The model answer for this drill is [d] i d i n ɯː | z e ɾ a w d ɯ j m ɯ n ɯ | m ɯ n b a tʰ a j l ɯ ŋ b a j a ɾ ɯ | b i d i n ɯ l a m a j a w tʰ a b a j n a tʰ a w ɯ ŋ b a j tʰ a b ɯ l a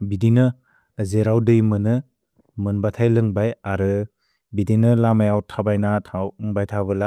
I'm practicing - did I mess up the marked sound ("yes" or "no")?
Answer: yes